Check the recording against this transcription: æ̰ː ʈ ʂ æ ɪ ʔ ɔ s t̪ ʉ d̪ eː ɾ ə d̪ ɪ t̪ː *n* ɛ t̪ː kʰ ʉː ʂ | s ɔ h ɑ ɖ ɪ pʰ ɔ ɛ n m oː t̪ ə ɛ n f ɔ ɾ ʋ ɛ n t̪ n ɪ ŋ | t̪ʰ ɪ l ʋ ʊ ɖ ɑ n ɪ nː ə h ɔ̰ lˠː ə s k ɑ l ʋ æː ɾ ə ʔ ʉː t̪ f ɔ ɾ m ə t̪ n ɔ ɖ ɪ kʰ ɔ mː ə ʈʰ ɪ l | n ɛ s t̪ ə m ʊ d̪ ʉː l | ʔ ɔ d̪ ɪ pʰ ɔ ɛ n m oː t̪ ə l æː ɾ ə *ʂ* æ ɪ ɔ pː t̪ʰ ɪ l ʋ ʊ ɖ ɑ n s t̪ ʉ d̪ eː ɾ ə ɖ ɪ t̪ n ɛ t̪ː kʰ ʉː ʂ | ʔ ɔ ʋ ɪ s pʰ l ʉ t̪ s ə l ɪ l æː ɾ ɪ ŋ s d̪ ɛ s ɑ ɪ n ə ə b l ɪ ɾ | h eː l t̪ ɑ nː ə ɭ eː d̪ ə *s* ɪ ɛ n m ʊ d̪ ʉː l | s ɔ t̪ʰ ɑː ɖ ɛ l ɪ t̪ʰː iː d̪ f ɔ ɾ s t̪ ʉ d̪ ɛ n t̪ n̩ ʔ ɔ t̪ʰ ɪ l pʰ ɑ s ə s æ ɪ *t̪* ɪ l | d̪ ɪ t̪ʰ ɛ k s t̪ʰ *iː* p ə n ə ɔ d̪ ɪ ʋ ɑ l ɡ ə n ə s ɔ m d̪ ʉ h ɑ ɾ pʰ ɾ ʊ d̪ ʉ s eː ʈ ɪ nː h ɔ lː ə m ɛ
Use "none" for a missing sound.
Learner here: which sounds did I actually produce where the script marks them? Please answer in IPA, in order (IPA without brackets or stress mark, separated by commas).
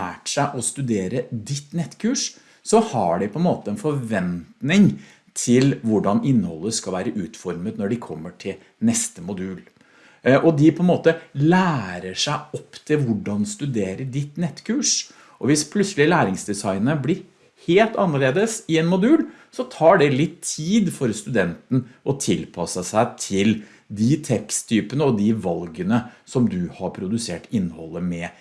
n, ʂ, s, t̪ʰ, yː